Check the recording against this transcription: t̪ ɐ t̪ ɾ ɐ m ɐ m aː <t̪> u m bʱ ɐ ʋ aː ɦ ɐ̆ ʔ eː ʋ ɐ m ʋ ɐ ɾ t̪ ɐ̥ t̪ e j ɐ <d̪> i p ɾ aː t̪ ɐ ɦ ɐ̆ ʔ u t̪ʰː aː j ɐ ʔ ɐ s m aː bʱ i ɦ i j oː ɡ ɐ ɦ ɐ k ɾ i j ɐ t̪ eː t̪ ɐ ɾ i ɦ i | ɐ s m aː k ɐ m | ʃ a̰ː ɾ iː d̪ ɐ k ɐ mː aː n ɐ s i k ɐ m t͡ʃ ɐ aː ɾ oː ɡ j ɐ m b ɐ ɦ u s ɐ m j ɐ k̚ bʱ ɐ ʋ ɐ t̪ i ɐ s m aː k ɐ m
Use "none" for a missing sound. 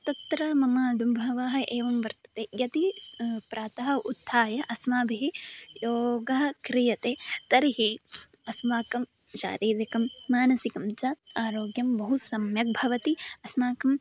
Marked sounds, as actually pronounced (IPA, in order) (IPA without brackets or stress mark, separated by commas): d̪, t̪